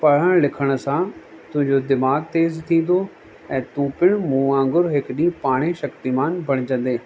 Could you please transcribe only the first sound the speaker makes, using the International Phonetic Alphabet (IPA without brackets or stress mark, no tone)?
p